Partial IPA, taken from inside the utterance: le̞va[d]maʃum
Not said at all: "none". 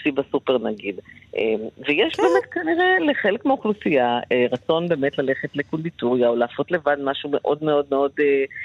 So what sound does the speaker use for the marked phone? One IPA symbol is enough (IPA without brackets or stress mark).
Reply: d